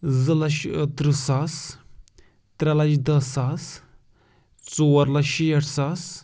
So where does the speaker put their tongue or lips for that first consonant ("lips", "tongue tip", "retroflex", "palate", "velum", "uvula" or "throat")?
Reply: tongue tip